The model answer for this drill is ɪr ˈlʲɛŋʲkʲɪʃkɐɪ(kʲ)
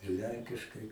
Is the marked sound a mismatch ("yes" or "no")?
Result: yes